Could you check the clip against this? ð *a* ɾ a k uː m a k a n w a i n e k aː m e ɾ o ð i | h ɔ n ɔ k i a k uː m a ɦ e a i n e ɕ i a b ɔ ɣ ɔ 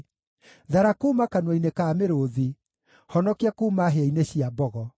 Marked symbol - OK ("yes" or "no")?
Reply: yes